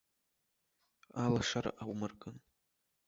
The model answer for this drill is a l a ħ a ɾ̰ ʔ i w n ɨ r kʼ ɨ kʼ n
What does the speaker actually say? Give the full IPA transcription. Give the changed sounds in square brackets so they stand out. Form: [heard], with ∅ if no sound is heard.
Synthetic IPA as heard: a l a [ʂ] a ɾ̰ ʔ [a] w [m] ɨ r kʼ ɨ [∅] n